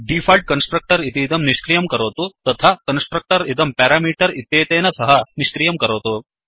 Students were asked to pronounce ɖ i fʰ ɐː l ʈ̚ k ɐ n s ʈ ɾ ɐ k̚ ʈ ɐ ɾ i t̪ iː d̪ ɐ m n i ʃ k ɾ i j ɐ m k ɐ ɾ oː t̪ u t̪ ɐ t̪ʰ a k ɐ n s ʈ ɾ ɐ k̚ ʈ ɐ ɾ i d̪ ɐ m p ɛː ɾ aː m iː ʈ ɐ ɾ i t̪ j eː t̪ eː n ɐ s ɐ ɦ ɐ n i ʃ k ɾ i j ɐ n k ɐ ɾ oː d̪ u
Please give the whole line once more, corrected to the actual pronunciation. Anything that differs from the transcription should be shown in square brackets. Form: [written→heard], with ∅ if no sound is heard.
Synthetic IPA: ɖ i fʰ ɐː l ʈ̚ k ɐ n s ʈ ɾ ɐ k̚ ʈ ɐ ɾ i t̪ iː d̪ ɐ m n i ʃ k ɾ i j ɐ m k ɐ ɾ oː t̪ u t̪ ɐ t̪ʰ a k ɐ n s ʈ ɾ ɐ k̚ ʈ ɐ ɾ i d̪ ɐ m p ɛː ɾ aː m iː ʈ ɐ ɾ i t̪ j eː t̪ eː n ɐ s ɐ ɦ ɐ n i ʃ k ɾ i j ɐ [n→m] k ɐ ɾ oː [d̪→t̪] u